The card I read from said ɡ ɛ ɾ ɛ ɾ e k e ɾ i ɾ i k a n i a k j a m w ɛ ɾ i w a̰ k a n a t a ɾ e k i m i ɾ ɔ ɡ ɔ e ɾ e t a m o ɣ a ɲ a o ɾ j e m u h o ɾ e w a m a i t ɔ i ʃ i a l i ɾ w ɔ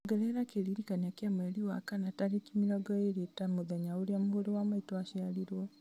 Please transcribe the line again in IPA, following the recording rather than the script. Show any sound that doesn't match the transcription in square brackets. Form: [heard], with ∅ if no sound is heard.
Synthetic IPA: ɡ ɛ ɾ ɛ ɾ [a] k e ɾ i ɾ i k a n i a k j a m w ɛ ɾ i w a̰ k a n a t a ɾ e k i m i ɾ ɔ ɡ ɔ e ɾ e t a m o [ð] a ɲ a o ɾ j [a] m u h o ɾ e w a m a i t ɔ [a] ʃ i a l i ɾ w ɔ